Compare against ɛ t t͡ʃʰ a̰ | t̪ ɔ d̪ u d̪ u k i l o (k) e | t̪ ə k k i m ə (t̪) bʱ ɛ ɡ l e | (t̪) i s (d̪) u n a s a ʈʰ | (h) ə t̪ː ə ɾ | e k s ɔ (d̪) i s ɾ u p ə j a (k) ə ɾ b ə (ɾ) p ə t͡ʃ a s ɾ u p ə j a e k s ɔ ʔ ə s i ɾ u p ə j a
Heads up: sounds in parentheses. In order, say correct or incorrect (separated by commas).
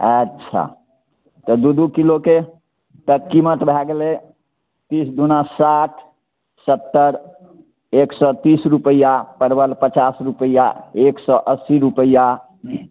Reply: correct, correct, correct, correct, incorrect, incorrect, incorrect, incorrect